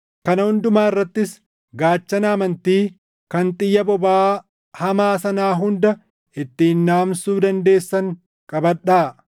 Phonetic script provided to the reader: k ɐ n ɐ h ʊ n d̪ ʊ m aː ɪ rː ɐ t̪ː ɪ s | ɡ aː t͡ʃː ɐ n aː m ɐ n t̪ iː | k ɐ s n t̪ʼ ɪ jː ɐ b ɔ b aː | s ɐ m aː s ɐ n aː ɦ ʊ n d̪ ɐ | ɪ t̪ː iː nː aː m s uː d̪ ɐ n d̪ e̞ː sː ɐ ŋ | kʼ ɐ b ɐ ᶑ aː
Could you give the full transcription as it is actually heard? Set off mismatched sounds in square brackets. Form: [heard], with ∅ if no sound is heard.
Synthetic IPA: k ɐ n ɐ h ʊ n d̪ ʊ m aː ɪ rː ɐ t̪ː ɪ s | ɡ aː t͡ʃː ɐ n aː m ɐ n t̪ iː | k ɐ [∅] n t̪ʼ ɪ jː ɐ b ɔ b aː | [h] ɐ m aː s ɐ n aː ɦ ʊ n d̪ ɐ | ɪ t̪ː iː nː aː m s uː d̪ ɐ n d̪ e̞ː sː ɐ ŋ | kʼ ɐ b ɐ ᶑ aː

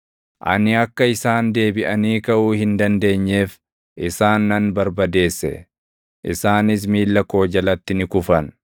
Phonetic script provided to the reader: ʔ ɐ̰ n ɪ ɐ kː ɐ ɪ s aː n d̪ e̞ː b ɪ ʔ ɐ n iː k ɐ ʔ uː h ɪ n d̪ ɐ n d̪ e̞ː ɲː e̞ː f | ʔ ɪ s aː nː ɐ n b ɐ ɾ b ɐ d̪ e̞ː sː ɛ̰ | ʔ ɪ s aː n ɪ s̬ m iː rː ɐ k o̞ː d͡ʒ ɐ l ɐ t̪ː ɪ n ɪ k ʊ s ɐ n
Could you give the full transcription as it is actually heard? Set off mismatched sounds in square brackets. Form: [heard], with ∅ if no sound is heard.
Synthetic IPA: ʔ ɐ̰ n ɪ ɐ kː ɐ ɪ s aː n d̪ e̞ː b ɪ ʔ ɐ n iː k ɐ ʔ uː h ɪ n d̪ ɐ n d̪ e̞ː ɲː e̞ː f | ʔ ɪ s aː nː ɐ n b ɐ ɾ b ɐ d̪ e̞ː sː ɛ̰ | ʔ ɪ s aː n ɪ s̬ m iː [lː] ɐ k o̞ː d͡ʒ ɐ l ɐ t̪ː ɪ n ɪ k ʊ [f] ɐ n

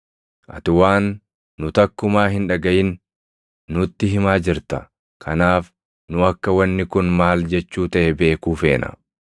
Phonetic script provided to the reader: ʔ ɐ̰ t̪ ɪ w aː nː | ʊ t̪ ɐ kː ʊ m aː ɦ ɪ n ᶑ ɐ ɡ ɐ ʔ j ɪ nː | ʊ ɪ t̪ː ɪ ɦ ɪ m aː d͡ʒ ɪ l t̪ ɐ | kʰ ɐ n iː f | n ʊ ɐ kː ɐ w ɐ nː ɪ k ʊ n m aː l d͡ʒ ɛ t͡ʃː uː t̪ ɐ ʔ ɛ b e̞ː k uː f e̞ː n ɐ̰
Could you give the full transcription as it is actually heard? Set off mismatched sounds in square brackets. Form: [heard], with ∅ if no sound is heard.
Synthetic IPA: ʔ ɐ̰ t̪ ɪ w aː nː | ʊ t̪ ɐ kː ʊ m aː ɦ ɪ n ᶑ ɐ ɡ ɐ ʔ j ɪ nː | ʊ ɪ t̪ː ɪ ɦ ɪ m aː d͡ʒ ɪ [ɾ] t̪ ɐ | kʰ ɐ n [aː] f | n ʊ ɐ kː ɐ w ɐ nː ɪ k ʊ n m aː l d͡ʒ ɛ t͡ʃː uː t̪ ɐ ʔ ɛ b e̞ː k uː f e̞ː n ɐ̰

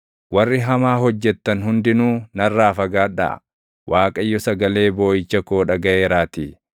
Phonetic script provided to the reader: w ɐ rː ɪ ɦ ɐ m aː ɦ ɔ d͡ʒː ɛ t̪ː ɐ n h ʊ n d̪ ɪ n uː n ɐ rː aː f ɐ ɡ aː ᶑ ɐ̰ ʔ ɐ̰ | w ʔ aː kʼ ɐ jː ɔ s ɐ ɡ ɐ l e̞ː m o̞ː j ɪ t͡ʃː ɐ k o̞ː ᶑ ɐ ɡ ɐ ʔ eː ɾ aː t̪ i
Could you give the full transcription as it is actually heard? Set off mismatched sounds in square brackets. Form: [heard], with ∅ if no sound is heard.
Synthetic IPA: w ɐ rː ɪ ɦ ɐ m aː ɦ ɔ d͡ʒː ɛ t̪ː ɐ n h ʊ n d̪ ɪ n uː n ɐ rː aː f ɐ ɡ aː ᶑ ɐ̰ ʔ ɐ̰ | w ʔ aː kʼ ɐ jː ɔ s ɐ ɡ ɐ l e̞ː [b] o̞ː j ɪ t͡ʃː ɐ k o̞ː ᶑ ɐ ɡ ɐ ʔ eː ɾ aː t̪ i

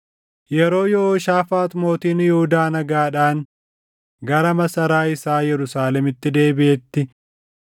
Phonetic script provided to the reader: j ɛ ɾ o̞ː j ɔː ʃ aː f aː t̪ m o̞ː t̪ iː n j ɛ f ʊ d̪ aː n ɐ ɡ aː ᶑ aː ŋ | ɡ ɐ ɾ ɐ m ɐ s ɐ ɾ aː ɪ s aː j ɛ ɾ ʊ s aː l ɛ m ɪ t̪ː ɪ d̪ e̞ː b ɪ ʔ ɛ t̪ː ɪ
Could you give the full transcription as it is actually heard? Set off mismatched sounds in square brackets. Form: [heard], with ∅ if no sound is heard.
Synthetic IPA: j ɛ ɾ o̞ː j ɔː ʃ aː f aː t̪ m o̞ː t̪ iː n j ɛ [h] ʊ d̪ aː n ɐ ɡ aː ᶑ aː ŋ | ɡ ɐ ɾ ɐ m ɐ s ɐ ɾ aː ɪ s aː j ɛ ɾ ʊ s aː l ɛ m ɪ t̪ː ɪ d̪ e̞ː b ɪ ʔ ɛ t̪ː ɪ

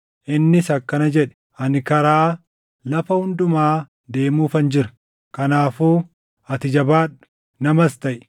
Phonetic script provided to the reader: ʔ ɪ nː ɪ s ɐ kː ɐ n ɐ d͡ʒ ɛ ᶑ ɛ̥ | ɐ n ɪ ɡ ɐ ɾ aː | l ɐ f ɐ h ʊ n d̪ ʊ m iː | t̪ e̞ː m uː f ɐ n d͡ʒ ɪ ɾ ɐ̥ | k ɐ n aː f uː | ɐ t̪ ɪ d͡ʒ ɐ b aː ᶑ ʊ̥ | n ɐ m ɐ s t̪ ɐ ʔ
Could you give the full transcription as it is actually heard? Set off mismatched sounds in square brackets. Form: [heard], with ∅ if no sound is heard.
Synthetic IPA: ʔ ɪ nː ɪ s ɐ kː ɐ n ɐ d͡ʒ ɛ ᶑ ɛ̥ | ɐ n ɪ [k] ɐ ɾ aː | l ɐ f ɐ h ʊ n d̪ ʊ m [aː] | [d̪] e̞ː m uː f ɐ n d͡ʒ ɪ ɾ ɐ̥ | k ɐ n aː f uː | ɐ t̪ ɪ d͡ʒ ɐ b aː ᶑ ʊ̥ | n ɐ m ɐ s t̪ ɐ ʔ

